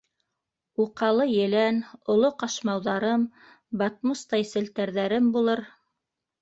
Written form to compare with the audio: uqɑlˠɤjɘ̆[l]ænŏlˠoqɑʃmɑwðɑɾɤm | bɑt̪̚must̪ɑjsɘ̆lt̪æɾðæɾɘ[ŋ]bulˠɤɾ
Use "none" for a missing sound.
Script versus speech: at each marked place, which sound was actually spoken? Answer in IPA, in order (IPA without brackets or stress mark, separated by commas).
l, m